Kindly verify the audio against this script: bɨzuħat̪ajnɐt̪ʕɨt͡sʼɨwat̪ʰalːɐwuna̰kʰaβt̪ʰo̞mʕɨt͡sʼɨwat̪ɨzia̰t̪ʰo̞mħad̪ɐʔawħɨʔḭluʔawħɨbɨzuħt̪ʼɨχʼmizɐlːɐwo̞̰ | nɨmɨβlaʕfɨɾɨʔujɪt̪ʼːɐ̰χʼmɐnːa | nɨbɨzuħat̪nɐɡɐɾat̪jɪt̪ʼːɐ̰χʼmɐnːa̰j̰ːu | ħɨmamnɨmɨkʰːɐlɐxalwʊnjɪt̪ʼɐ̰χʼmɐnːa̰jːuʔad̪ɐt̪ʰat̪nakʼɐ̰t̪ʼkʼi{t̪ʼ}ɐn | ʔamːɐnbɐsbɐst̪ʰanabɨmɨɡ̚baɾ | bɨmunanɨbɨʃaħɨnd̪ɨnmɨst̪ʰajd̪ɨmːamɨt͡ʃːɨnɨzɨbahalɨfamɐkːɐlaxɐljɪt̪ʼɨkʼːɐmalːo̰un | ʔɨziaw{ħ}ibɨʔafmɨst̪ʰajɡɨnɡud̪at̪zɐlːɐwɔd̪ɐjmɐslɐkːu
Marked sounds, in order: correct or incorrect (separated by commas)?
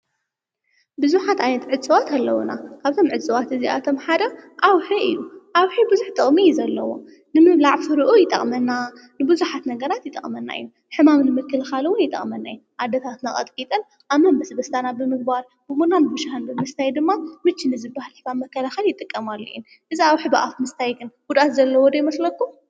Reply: correct, correct